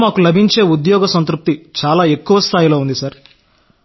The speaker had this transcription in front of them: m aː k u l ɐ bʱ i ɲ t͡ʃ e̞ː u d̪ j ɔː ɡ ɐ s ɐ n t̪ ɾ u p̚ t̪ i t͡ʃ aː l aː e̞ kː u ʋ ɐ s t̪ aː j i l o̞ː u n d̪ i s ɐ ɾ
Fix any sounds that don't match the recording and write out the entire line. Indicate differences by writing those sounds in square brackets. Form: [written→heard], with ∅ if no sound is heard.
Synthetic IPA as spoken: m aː k u l ɐ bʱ i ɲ t͡ʃ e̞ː u d̪ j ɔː ɡ ɐ s ɐ n t̪ ɾ u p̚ t̪ i t͡ʃ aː l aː e̞ kː u ʋ ɐ s [t̪→t̪ʰ] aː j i l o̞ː u n d̪ i s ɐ ɾ

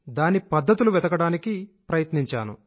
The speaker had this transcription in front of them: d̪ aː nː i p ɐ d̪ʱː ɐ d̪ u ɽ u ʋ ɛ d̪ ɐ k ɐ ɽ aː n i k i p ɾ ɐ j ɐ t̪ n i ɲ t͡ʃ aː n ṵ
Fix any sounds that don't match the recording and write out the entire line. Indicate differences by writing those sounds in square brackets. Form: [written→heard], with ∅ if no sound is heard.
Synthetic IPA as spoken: d̪ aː [nː→n] i p ɐ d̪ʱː ɐ [d̪→t̪] u [ɽ→l] u ʋ ɛ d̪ ɐ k ɐ ɽ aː n i k i p ɾ ɐ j ɐ t̪ n i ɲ t͡ʃ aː n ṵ

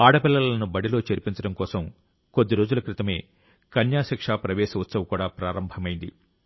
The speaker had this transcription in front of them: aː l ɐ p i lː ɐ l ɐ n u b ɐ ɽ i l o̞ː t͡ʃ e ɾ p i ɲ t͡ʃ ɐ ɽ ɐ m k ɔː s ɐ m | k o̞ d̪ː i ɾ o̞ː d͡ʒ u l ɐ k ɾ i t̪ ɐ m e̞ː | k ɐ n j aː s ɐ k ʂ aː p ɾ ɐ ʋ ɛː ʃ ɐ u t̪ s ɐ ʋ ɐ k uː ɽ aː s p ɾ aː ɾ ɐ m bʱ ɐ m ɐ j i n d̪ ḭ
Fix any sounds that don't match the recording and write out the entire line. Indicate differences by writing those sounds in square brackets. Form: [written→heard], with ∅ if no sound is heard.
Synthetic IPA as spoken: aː [l→ɽ] ɐ p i lː ɐ l ɐ n u b ɐ ɽ i l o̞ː t͡ʃ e ɾ p i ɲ t͡ʃ ɐ ɽ ɐ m k ɔː s ɐ m | k o̞ d̪ː i ɾ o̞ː d͡ʒ u l ɐ k ɾ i t̪ ɐ m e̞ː | k ɐ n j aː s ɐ k ʂ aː p ɾ ɐ ʋ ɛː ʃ ɐ u t̪ s ɐ ʋ ɐ k uː ɽ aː [s→∅] p ɾ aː ɾ ɐ m bʱ ɐ m ɐ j i n d̪ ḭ

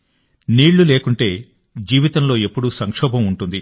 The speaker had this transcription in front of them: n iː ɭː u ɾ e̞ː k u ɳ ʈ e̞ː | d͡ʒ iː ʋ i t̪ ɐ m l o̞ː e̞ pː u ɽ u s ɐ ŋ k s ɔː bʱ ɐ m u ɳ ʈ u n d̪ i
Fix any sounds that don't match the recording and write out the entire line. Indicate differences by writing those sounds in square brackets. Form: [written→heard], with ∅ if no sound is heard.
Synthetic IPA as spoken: n iː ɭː u [ɾ→l] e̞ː k u ɳ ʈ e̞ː | d͡ʒ iː ʋ i t̪ ɐ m l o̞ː e̞ pː u ɽ u s ɐ ŋ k [s→ʂ] ɔː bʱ ɐ m u ɳ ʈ u n d̪ i

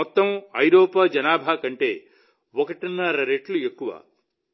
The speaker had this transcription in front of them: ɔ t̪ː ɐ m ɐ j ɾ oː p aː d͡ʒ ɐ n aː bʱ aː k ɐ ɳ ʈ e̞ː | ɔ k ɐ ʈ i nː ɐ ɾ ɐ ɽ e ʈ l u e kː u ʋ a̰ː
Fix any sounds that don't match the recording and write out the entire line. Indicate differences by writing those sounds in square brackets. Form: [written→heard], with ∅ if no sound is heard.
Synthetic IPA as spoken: ɔ t̪ː ɐ m ɐ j ɾ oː p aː d͡ʒ ɐ n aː bʱ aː k ɐ ɳ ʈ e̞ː | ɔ k ɐ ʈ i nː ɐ ɾ ɐ [ɽ→ɾ] e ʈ l u e kː u ʋ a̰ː

